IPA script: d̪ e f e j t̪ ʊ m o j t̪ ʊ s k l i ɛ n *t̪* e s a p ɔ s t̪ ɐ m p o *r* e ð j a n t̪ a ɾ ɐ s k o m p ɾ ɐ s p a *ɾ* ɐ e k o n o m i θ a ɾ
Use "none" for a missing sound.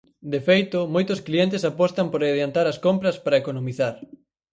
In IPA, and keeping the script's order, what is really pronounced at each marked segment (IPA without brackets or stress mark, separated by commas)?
t̪, ɾ, ɾ